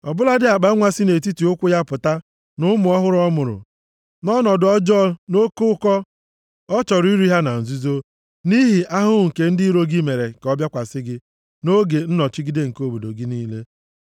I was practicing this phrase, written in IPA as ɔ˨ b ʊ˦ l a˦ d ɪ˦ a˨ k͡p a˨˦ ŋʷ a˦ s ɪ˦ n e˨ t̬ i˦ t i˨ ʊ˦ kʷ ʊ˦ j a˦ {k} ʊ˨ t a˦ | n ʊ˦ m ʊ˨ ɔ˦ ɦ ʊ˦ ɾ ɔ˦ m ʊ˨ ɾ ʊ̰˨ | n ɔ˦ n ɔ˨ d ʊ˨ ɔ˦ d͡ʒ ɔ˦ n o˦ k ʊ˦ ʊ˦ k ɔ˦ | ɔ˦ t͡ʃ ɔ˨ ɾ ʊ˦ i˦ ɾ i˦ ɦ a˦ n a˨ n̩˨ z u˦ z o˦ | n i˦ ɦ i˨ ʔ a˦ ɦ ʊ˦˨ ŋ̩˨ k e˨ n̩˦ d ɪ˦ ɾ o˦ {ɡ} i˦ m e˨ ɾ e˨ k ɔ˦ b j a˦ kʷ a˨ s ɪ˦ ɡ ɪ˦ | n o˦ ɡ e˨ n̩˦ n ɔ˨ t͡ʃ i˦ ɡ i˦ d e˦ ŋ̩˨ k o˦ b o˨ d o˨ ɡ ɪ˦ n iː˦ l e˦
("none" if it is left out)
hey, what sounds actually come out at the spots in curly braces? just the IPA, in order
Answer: p, ɡ

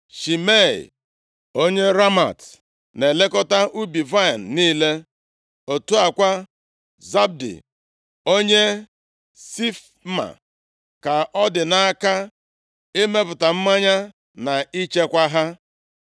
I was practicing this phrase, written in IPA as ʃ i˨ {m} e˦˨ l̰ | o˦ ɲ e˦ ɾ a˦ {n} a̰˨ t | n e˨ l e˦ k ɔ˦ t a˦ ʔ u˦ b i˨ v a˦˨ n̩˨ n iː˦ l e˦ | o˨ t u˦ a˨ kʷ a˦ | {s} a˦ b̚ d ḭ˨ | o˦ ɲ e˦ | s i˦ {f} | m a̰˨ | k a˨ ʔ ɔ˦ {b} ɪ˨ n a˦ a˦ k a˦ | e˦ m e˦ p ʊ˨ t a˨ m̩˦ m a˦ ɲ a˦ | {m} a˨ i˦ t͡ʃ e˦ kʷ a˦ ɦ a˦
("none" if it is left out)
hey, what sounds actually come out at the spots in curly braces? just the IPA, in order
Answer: m, m, z, f, d, n

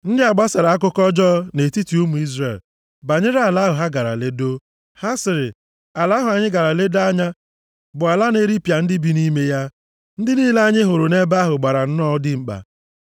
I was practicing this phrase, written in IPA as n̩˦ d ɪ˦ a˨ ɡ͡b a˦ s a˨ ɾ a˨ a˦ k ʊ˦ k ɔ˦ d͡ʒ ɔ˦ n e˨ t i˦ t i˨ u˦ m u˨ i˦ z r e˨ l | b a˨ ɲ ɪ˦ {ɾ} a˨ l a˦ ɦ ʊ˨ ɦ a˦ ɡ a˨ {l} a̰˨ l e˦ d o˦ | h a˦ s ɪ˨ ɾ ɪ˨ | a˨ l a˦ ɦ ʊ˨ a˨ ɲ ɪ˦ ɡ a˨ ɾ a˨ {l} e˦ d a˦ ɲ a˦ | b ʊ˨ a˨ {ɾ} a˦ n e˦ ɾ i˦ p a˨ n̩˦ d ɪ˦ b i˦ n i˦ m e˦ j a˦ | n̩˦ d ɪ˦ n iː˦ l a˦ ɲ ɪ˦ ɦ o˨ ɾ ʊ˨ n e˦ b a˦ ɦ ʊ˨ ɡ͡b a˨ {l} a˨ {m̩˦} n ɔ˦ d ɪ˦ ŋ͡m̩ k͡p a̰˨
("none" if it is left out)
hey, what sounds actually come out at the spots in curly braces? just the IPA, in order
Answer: ɾ, ɾ, l, l, ɾ, n̩˦

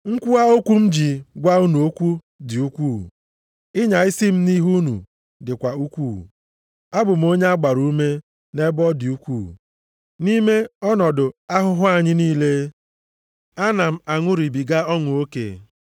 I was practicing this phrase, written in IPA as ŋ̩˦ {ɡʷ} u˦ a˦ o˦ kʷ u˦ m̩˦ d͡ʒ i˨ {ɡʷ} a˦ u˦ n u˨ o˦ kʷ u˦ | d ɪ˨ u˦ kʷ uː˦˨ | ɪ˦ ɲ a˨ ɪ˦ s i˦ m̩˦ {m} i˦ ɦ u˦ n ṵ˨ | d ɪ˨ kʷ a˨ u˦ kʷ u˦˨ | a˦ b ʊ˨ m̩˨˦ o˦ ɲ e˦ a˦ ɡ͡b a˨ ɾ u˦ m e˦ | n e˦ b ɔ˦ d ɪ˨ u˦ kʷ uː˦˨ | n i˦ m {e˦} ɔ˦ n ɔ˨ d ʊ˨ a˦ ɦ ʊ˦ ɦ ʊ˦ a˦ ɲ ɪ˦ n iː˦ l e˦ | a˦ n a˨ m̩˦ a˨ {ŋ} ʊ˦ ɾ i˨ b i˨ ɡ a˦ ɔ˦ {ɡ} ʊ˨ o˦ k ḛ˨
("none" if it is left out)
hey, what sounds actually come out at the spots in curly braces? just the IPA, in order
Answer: kʷ, ɡʷ, n, e˦, ŋ, ŋ

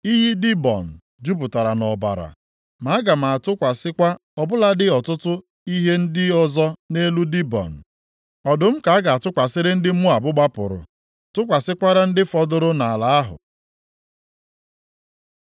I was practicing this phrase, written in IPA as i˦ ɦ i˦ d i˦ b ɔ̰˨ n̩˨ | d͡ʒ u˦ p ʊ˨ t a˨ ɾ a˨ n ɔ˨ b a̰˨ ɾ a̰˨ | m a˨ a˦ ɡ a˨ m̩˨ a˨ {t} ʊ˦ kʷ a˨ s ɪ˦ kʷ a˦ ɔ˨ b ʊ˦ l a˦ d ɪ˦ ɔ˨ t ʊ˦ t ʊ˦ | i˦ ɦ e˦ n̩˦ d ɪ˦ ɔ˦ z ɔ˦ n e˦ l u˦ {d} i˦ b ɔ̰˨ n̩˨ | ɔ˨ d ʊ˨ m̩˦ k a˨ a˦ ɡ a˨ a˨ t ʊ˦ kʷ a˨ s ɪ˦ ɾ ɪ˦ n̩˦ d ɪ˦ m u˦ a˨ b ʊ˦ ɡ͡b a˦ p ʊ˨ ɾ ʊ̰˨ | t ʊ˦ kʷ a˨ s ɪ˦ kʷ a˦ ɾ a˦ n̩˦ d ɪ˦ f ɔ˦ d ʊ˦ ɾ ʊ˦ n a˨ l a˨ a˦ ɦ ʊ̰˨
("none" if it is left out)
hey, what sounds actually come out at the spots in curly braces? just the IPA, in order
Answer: t, d

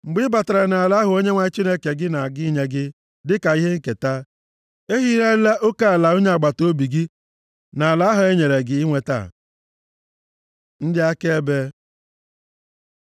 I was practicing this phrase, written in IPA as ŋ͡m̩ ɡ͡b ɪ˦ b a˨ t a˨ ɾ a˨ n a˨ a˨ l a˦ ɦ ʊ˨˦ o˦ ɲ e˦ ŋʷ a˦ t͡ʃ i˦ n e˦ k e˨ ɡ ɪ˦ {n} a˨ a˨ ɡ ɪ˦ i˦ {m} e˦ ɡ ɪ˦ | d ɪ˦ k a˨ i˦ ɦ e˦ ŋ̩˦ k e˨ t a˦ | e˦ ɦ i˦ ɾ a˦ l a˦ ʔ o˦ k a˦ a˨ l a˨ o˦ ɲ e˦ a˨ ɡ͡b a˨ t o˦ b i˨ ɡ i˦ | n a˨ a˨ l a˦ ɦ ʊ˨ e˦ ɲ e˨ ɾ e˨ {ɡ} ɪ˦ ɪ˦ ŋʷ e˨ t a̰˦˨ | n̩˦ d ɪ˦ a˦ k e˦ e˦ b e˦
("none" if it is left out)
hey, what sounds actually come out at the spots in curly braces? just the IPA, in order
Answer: n, ɲ, ɡ

